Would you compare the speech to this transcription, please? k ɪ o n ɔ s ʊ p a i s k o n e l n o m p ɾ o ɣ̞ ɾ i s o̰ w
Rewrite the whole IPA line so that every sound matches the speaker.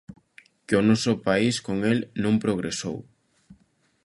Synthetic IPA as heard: k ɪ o n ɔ s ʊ p a i s k o ŋ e l n õ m p ɾ o ɣ̞ ɾ e s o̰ w